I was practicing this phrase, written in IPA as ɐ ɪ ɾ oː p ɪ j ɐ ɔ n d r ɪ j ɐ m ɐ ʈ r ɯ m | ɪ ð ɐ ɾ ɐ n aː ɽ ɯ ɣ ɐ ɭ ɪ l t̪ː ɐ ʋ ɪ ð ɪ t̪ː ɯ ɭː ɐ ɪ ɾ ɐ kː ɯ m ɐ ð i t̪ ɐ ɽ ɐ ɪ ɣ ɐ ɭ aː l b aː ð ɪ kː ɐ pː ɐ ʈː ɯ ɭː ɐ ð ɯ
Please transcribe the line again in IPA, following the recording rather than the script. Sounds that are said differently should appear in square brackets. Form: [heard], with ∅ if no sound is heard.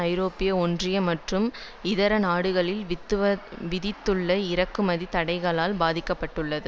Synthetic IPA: ɐ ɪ ɾ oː p ɪ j ɐ ɔ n d r ɪ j ɐ m ɐ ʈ r ɯ m | ɪ ð ɐ ɾ ɐ n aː ɽ ɯ ɣ ɐ ɭ ɪ l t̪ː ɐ ʋ ɪ ð ɪ t̪ː ɯ ɭː ɐ ɪ ɾ ɐ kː ɯ m ɐ ð i t̪ ɐ ɽ ɐ ɪ ɣ ɐ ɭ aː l b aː ð ɪ kː ɐ pː ɐ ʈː ɯ ɭː ɐ ð ɯ